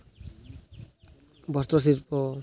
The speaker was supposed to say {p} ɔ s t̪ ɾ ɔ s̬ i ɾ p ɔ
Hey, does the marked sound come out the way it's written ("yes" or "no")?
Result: no